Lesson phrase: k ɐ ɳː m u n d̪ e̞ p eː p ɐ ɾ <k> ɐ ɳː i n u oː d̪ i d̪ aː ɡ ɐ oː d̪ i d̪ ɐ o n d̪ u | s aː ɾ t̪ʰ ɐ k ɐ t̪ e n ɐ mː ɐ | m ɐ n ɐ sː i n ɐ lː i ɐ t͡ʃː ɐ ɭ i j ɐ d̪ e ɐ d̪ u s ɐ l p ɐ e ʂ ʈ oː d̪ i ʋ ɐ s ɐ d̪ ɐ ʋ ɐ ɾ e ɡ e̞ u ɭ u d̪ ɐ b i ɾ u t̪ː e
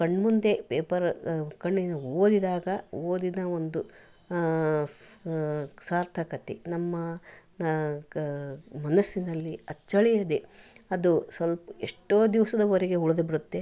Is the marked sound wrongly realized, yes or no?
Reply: no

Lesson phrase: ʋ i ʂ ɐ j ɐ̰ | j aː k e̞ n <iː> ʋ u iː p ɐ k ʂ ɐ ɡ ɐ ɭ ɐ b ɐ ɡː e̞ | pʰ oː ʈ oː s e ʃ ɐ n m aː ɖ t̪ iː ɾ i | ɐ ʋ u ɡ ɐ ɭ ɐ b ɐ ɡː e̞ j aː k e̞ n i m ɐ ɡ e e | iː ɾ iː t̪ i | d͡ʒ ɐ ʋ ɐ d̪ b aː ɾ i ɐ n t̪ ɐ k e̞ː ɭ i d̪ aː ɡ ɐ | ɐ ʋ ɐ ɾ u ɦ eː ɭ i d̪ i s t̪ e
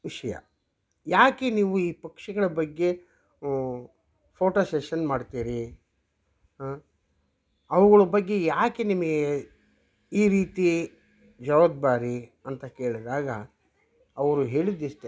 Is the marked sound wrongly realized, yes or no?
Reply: no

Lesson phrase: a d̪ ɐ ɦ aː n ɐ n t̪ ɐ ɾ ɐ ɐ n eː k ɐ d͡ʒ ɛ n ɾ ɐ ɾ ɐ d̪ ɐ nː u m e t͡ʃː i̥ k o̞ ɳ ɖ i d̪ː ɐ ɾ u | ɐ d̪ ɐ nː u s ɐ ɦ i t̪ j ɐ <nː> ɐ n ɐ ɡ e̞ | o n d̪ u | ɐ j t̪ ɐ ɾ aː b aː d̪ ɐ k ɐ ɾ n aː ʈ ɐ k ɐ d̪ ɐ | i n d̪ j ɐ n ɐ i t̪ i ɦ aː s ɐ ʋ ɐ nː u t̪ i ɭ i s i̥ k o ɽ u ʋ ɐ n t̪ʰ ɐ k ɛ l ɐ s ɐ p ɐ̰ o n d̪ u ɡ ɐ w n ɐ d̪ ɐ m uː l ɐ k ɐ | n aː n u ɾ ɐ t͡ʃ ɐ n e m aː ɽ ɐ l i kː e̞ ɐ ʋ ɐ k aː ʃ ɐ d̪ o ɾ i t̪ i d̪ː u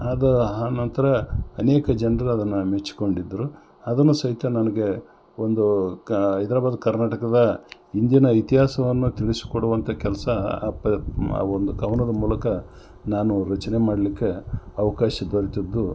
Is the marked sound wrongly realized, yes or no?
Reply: yes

